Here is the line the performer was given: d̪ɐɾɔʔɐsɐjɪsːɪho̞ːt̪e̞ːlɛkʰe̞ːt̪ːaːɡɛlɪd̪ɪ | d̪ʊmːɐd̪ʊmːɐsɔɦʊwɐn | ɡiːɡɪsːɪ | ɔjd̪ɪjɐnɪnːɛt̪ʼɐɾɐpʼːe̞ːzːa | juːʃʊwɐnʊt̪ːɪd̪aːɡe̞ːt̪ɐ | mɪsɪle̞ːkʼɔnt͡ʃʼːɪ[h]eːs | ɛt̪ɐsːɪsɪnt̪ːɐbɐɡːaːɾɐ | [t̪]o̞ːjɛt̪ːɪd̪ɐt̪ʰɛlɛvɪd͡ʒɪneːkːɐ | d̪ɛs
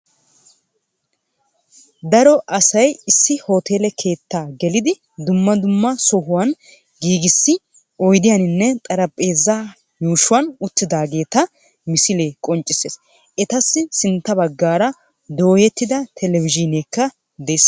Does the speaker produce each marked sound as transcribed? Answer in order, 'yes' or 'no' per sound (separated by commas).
no, no